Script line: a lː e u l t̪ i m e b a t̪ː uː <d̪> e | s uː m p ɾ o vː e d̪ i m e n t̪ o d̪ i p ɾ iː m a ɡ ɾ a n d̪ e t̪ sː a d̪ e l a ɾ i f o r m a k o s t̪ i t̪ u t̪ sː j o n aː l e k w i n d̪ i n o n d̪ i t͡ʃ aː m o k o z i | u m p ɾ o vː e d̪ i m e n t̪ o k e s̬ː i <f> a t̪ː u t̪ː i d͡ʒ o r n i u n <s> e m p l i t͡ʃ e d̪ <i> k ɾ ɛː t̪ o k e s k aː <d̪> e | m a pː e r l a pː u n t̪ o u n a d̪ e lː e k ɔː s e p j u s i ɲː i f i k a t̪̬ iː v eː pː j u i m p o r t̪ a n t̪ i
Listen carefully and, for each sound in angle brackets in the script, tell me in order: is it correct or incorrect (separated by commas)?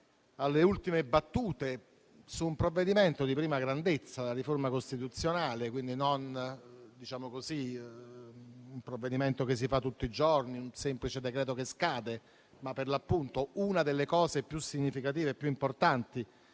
incorrect, correct, correct, incorrect, correct